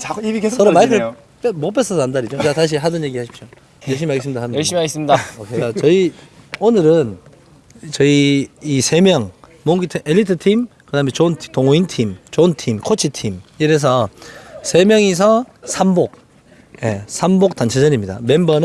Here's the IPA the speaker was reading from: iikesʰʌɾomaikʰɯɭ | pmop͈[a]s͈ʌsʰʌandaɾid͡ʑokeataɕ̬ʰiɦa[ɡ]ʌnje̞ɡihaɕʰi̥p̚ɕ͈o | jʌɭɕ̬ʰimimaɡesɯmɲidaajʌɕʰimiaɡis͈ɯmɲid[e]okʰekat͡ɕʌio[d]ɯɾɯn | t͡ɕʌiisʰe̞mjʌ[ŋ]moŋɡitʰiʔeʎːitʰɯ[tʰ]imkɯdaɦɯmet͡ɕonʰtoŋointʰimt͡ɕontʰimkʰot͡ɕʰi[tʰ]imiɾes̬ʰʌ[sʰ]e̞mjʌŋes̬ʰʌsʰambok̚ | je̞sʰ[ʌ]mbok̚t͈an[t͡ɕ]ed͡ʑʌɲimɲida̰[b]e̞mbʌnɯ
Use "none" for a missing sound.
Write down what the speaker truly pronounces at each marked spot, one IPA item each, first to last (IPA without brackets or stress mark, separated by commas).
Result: e, d, a, n, ŋ, tʰ, tʰ, sʰ, a, t͡ɕʰ, m